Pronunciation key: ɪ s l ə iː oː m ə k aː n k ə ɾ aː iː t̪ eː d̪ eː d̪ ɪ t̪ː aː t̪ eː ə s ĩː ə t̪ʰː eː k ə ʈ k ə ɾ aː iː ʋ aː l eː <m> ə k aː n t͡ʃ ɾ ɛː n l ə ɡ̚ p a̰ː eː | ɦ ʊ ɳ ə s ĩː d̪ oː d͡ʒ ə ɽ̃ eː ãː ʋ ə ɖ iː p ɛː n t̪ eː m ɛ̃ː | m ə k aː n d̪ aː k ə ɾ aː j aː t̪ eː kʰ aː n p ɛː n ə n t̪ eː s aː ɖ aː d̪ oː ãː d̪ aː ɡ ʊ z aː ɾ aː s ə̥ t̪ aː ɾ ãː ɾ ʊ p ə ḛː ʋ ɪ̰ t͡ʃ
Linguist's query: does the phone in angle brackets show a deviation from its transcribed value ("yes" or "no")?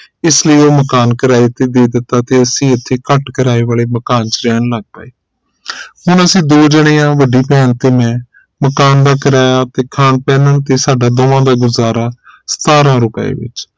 no